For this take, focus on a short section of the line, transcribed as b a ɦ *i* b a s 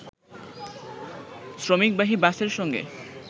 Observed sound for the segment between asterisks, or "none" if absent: i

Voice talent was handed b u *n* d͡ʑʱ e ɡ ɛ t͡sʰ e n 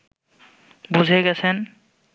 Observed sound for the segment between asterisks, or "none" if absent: none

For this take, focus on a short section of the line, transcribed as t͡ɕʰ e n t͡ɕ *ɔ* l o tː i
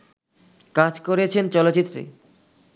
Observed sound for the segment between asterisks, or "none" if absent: ɔ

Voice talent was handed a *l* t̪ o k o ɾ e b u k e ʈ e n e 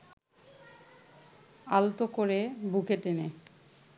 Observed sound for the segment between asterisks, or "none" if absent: l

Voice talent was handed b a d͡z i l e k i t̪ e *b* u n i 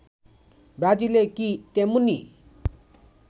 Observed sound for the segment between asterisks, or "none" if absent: m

